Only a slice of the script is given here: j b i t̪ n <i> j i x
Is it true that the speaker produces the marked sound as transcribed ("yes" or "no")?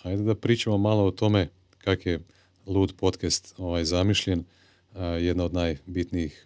yes